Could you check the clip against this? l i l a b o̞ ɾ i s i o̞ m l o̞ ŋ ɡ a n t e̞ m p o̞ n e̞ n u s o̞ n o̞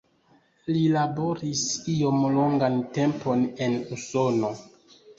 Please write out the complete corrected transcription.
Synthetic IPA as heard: l i l a b o̞ ɾ i s i o̞ m l o̞ ŋ ɡ a n t e̞ m p o̞ n e̞ n u s o̞ n o̞